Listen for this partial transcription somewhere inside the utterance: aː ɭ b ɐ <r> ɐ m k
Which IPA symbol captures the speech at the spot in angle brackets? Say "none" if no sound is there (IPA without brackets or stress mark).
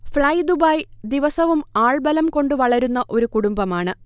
l